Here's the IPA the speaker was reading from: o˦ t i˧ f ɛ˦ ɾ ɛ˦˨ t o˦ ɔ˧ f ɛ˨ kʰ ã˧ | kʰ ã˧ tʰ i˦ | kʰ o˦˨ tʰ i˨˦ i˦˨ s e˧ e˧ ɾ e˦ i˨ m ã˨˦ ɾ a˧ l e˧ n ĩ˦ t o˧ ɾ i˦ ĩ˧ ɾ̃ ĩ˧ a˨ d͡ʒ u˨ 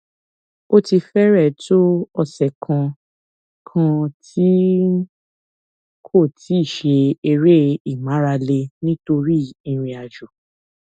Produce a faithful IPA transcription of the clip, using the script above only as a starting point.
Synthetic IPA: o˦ t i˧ f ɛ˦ ɾ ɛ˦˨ t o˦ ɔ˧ s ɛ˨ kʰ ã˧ | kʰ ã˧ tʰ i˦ | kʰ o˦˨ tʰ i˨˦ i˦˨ ʃ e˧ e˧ ɾ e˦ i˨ m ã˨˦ ɾ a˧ l e˧ n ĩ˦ t o˧ ɾ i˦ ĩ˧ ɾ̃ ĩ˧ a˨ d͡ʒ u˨